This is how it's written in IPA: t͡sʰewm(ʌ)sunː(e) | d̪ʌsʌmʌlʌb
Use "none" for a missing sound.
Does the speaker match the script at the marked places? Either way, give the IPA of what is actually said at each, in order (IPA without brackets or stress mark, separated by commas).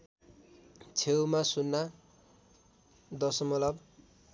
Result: a, a